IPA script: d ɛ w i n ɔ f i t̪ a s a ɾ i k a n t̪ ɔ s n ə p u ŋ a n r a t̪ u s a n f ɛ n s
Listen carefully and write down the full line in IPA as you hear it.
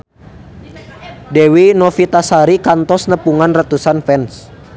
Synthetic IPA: d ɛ w i n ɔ f i t̪ a s a ɾ i k a n t̪ ɔ s n ə p u ŋ a n r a t̪ u s a n f ɛ n s